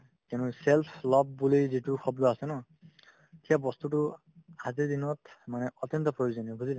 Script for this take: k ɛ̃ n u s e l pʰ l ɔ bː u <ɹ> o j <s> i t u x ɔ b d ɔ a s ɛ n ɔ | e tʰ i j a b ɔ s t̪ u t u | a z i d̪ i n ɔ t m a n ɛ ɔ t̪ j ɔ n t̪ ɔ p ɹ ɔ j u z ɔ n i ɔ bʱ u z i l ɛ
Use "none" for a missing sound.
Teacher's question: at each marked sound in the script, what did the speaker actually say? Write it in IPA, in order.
l, z

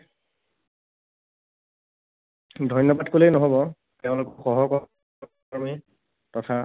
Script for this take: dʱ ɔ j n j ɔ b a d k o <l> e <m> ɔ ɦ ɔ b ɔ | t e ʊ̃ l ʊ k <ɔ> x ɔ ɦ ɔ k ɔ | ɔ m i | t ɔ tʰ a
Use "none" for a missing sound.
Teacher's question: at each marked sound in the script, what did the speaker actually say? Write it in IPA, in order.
l, n, ɔ

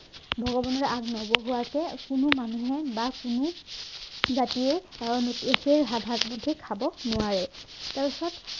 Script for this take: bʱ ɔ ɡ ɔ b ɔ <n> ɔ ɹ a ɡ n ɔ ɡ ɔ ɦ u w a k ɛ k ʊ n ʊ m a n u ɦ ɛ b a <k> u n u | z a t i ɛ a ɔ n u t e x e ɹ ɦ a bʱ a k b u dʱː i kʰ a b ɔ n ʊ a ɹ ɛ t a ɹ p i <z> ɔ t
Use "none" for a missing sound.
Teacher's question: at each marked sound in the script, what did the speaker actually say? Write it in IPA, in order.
n, k, s

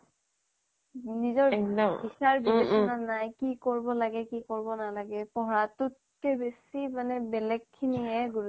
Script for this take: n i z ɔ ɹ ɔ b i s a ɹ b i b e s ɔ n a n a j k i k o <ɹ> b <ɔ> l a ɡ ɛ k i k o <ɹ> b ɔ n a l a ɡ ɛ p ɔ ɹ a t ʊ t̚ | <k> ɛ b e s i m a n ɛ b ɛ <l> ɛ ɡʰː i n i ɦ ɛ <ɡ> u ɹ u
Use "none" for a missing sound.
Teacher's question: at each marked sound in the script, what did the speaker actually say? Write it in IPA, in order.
ɹ, ɔ, ɹ, k, l, ɡ

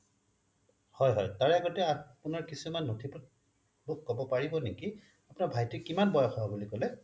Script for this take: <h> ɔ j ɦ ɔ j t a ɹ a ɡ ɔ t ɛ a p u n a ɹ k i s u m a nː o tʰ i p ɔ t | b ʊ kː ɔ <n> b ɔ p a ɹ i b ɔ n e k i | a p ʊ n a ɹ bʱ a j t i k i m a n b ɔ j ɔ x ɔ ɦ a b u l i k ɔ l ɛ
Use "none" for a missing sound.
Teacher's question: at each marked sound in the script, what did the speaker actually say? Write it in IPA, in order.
h, none

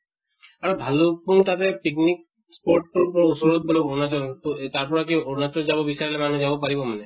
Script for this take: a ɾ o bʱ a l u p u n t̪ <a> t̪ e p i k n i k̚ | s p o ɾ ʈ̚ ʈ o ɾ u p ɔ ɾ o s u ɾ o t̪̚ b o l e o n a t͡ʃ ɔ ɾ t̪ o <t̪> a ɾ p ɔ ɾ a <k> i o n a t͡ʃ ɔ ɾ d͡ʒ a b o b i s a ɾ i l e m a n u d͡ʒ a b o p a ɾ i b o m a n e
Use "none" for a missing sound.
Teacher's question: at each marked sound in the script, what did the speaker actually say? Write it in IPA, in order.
a, t̪, k

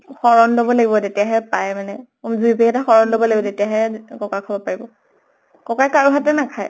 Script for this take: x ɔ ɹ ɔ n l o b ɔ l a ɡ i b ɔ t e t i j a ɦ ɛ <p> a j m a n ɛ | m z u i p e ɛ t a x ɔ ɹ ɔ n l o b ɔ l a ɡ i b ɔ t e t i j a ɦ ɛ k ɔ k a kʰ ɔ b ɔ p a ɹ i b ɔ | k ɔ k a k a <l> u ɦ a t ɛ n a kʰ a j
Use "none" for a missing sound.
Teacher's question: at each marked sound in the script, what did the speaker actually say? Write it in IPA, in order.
p, ɹ

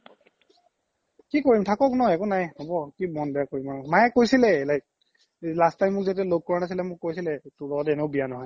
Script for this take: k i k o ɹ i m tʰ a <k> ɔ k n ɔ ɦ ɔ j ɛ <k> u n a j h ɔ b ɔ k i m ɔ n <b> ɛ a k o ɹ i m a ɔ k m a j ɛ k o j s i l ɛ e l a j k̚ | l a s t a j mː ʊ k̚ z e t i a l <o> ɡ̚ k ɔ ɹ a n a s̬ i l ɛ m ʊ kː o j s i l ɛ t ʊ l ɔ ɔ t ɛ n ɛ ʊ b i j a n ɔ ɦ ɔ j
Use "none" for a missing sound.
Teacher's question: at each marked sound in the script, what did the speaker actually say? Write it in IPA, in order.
k, k, b, o

